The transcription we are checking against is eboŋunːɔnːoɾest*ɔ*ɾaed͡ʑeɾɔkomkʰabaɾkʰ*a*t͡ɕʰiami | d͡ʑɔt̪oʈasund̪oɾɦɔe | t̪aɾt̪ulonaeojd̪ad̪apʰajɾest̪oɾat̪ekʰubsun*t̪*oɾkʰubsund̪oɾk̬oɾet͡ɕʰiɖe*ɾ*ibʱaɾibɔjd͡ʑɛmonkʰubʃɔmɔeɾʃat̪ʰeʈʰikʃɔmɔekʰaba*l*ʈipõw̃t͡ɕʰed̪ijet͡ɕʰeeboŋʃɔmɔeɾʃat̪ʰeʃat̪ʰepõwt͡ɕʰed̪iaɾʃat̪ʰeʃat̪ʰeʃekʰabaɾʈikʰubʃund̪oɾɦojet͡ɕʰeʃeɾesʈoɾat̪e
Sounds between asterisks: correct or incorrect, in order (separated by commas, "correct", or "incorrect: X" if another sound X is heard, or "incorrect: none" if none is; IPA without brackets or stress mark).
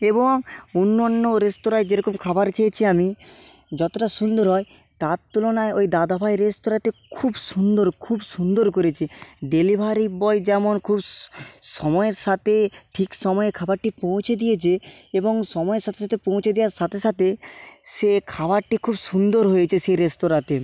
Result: incorrect: o, incorrect: e, incorrect: d̪, incorrect: l, incorrect: ɾ